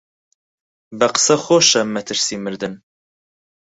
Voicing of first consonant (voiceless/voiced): voiced